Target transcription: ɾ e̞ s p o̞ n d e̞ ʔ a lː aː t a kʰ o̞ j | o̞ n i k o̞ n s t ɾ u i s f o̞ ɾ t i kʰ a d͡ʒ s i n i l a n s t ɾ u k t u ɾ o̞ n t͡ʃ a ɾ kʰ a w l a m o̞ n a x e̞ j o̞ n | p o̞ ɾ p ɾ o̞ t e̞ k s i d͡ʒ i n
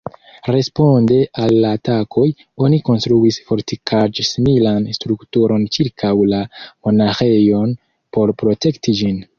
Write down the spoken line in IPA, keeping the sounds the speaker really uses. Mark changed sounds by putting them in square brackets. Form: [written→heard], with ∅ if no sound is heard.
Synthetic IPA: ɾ e̞ s p o̞ n d e̞ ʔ a lː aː t a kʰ o̞ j | o̞ n i k o̞ n s t ɾ u i s f o̞ ɾ t i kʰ a d͡ʒ s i [n→m] i l a n s t ɾ u k t u ɾ o̞ n t͡ʃ [a→i] ɾ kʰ a w l a m o̞ n a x e̞ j o̞ n | p o̞ ɾ p ɾ o̞ t e̞ k [s→t] i d͡ʒ i n